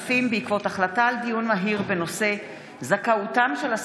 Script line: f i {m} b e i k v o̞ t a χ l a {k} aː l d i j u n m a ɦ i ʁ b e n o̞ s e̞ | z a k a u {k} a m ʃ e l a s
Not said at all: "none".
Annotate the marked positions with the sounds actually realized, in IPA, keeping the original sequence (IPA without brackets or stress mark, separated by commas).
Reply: m, t, t